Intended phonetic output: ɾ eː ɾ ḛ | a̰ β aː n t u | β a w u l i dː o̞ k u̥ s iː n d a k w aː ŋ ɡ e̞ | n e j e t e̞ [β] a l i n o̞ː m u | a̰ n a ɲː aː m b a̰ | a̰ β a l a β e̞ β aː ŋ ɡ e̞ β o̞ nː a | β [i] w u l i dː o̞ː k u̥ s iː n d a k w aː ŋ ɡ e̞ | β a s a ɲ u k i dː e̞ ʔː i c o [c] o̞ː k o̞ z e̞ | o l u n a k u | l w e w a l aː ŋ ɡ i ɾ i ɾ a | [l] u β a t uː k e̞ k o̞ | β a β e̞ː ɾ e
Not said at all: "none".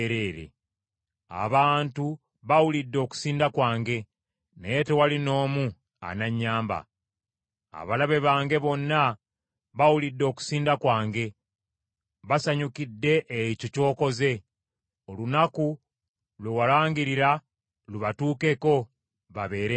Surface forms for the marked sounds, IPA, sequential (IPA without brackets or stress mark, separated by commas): w, a, c, l